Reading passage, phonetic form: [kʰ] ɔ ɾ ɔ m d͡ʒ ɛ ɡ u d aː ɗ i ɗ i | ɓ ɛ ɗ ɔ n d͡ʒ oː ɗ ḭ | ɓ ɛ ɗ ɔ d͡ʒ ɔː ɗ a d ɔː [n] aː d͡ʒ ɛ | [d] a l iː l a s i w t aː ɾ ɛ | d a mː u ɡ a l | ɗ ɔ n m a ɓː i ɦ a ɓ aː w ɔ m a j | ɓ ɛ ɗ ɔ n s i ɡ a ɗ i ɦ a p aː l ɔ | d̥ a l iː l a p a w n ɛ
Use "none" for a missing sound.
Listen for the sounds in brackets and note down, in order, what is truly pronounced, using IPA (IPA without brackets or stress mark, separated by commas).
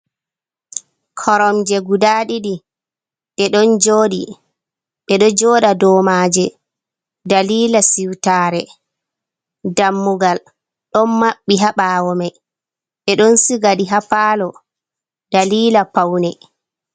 kʰ, m, d